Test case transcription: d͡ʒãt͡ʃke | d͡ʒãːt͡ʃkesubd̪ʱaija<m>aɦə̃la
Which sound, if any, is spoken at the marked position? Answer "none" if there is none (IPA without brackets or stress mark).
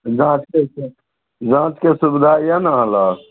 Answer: n